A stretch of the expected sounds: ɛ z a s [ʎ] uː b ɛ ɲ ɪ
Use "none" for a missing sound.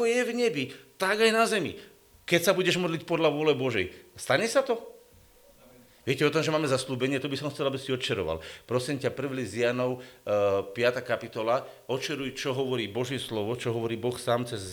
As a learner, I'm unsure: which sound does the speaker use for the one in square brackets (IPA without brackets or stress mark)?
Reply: l